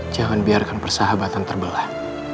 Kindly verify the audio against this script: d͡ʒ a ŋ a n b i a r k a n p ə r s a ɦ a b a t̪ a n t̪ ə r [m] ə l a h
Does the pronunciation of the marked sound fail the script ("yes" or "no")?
yes